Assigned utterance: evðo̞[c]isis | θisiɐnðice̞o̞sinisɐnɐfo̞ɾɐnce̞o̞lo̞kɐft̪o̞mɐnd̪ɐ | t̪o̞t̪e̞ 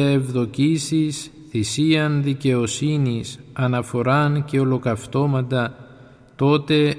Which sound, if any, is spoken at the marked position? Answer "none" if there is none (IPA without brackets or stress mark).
c